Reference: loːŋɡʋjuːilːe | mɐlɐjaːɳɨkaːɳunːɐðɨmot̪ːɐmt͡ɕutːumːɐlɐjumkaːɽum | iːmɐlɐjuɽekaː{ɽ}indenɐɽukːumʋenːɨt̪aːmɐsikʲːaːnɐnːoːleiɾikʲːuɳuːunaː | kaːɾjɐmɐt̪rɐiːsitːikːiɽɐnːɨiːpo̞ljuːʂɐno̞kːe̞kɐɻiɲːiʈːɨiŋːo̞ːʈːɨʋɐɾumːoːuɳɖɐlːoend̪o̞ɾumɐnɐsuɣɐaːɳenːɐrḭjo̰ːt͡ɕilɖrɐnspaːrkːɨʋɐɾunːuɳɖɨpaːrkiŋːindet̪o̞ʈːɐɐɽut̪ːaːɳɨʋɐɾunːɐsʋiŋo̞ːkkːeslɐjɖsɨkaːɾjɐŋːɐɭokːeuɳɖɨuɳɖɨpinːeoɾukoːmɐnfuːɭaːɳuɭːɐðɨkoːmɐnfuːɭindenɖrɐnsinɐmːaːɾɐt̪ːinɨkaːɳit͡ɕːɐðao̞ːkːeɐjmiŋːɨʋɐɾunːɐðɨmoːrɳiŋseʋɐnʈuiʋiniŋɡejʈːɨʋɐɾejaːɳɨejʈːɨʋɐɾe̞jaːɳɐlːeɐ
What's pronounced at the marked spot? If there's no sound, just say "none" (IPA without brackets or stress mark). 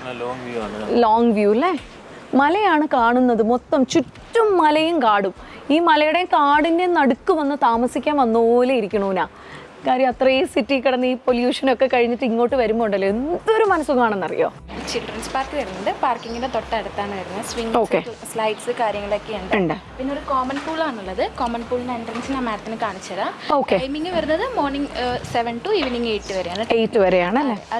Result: ɽ